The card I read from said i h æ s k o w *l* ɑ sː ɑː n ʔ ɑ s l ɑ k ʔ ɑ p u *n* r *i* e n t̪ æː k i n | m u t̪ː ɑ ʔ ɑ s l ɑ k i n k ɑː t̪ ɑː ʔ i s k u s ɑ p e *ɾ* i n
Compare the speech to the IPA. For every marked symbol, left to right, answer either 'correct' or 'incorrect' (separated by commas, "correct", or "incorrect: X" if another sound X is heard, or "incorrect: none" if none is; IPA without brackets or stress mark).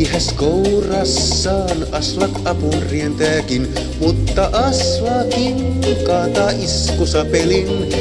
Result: incorrect: r, correct, correct, incorrect: l